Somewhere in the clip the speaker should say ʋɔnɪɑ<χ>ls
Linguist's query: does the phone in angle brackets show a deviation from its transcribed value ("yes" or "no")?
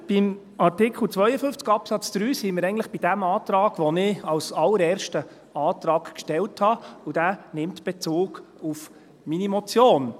yes